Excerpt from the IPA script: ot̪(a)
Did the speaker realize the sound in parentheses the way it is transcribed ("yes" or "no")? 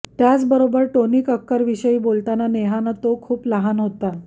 yes